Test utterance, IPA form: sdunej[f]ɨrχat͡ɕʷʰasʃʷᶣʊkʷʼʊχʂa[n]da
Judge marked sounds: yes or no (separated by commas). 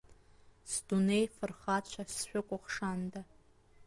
yes, yes